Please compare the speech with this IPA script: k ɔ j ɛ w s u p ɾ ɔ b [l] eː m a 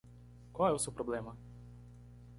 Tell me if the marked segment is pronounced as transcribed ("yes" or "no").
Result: yes